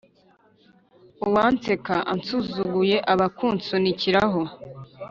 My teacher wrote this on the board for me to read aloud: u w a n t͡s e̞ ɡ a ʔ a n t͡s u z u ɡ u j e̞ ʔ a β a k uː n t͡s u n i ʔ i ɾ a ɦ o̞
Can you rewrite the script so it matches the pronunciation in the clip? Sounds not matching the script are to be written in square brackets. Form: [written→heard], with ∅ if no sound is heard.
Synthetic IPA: u w a n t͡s e̞ [ɡ→k] a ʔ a n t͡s u z u ɡ u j e̞ ʔ a β a k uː n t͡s u n i [ʔ→c] i ɾ a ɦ o̞

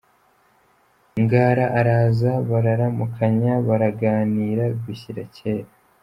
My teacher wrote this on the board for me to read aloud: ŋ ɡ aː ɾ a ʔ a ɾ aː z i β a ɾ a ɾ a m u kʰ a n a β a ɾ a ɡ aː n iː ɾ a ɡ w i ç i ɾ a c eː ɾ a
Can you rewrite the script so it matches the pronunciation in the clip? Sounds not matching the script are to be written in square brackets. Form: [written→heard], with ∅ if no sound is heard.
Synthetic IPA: ŋ ɡ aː ɾ a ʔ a ɾ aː z [i→a] β a ɾ a ɾ a m u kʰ a [n→ɲ] a β a ɾ a ɡ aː n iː ɾ a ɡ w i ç i ɾ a c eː ɾ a

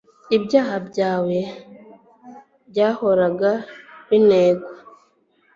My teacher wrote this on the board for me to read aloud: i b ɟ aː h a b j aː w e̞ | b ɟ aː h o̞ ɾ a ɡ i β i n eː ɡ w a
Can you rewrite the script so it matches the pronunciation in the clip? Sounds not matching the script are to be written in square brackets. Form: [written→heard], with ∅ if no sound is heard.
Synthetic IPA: i b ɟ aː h a b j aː w e̞ | b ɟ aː h o̞ ɾ a ɡ [i→a] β i n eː ɡ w a

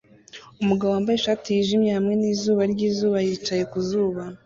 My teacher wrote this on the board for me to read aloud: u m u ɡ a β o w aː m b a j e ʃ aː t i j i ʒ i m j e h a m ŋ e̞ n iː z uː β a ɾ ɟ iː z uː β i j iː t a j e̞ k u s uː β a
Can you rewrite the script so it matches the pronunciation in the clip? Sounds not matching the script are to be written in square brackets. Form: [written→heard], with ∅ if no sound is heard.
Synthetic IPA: u m u ɡ a β o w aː m b a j e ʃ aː t i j i ʒ i m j e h a m ŋ e̞ n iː z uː β a ɾ ɟ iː z uː β [i→a] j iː [t→t͡ʃ] a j e̞ k u [s→z] uː β a

